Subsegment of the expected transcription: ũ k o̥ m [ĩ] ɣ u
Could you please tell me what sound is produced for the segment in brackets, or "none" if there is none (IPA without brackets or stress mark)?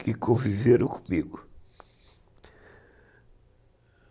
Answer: i